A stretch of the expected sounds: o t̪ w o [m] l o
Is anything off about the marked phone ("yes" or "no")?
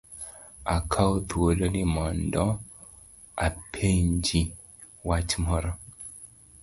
yes